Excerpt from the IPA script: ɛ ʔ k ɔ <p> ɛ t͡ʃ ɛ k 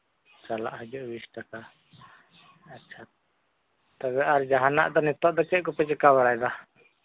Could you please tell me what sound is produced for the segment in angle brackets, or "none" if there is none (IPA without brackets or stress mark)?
p